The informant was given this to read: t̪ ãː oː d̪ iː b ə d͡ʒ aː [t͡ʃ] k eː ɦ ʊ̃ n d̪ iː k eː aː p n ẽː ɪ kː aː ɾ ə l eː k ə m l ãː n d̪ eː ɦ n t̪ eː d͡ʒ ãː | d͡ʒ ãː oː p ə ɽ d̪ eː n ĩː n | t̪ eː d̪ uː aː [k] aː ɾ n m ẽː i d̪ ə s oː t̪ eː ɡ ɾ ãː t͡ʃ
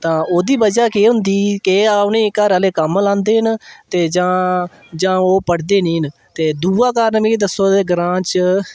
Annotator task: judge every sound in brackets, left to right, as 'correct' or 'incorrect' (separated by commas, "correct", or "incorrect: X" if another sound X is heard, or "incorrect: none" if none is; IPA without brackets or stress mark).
incorrect: none, correct